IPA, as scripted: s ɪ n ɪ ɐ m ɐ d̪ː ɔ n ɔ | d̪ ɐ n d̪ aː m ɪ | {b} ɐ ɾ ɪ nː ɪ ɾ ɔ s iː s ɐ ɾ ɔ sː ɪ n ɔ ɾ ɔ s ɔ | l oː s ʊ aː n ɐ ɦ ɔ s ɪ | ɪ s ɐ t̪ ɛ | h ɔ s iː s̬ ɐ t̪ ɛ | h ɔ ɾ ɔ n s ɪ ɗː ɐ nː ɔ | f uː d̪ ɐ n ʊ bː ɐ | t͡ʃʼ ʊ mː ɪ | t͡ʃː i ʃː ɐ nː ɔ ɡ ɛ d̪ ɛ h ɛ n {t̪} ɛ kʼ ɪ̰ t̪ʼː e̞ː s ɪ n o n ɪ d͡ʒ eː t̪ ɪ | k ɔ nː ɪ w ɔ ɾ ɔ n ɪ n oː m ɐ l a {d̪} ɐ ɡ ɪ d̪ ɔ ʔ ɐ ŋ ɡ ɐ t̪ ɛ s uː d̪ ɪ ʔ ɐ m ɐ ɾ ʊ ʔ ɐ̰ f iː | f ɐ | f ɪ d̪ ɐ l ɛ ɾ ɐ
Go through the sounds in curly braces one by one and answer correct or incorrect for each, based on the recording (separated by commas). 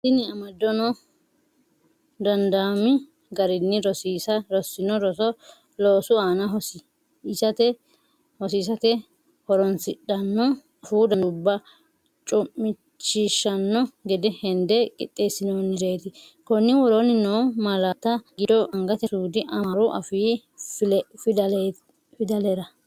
incorrect, incorrect, incorrect